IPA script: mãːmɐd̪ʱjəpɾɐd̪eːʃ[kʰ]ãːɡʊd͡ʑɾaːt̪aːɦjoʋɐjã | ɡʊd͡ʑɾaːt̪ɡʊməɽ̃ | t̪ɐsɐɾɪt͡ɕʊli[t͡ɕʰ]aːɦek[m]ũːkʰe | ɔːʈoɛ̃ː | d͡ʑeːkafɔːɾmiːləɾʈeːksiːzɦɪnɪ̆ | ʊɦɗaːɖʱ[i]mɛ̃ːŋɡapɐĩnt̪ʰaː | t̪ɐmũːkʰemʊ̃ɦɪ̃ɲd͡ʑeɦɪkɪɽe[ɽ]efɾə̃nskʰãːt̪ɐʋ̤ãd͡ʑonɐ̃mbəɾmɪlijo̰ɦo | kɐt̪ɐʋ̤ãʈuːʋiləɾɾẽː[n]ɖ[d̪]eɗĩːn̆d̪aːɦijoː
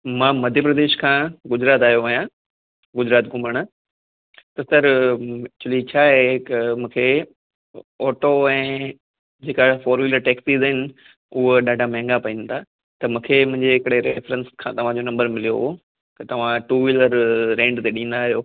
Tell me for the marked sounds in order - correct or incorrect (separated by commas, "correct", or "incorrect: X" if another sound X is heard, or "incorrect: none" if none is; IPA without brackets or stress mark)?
correct, correct, correct, incorrect: a, incorrect: ɾ, incorrect: ɳ, incorrect: t̪